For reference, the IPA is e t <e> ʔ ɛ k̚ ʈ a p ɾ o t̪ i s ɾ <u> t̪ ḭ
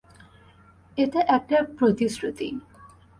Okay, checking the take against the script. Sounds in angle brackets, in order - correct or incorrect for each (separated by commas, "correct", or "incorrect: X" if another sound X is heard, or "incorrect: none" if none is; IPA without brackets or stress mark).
correct, correct